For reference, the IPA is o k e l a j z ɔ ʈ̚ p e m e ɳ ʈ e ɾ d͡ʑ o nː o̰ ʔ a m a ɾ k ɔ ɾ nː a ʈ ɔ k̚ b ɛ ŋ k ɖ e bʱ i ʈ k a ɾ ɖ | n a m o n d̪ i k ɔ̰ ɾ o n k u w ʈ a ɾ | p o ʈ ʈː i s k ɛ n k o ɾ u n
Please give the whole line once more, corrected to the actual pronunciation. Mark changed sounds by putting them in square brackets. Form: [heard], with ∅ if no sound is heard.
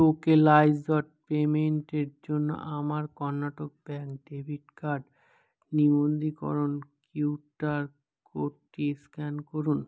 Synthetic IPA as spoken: o k e l a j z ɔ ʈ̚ p e m e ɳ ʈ e ɾ d͡ʑ o nː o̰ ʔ a m a ɾ k ɔ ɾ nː a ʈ [o] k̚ b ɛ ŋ k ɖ e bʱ i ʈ k a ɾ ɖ | n [i] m o n d̪ i k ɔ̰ ɾ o n k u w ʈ a ɾ | [k] o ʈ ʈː i s k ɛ n k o ɾ u n